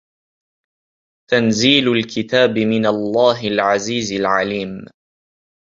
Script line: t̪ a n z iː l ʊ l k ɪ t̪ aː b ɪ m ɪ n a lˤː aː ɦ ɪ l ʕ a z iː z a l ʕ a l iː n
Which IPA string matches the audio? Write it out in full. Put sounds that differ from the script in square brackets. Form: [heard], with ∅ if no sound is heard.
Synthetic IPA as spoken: t̪ a n z iː l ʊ l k ɪ t̪ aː b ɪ m ɪ n a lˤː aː ɦ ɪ l ʕ a z iː z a l ʕ a l iː [m]